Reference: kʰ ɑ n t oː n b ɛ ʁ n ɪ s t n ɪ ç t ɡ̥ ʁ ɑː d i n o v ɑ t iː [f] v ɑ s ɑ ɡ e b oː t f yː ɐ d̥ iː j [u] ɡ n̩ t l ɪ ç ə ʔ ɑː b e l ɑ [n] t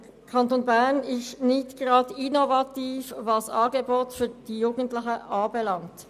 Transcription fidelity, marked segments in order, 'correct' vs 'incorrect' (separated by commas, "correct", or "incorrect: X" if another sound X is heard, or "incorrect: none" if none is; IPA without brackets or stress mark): correct, incorrect: uː, incorrect: ŋ